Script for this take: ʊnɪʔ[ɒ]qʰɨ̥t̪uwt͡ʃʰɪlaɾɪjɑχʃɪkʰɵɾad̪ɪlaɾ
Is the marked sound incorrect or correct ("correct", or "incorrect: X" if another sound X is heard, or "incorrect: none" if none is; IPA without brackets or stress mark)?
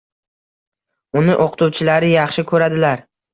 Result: incorrect: o